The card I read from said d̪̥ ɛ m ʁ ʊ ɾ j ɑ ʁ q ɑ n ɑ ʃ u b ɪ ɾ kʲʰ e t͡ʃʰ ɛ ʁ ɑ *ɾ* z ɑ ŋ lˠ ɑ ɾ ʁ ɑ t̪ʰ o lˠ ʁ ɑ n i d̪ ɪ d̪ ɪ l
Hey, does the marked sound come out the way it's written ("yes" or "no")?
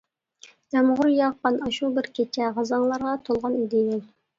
no